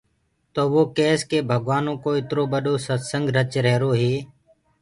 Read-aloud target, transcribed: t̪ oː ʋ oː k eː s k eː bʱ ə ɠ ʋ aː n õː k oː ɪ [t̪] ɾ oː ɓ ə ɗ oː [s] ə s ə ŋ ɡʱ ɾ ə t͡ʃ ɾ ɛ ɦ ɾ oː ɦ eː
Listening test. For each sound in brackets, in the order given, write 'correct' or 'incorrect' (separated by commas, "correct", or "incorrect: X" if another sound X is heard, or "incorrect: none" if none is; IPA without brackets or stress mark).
correct, correct